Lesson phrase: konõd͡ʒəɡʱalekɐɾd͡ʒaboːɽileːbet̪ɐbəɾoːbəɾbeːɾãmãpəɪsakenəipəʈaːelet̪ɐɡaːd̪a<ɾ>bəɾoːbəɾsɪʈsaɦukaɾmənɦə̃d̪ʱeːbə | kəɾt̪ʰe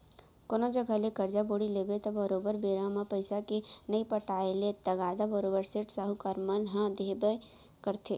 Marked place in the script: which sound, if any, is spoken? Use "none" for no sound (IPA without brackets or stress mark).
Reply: none